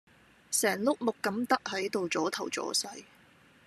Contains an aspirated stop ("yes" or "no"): yes